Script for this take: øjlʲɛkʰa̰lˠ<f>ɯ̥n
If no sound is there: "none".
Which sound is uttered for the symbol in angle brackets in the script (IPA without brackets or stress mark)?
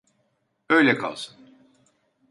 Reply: s